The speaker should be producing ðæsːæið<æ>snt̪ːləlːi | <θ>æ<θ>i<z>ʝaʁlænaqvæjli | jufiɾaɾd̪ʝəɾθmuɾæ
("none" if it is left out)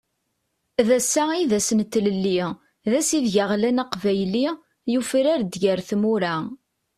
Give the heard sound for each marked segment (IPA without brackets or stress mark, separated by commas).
æ, ð, s, ð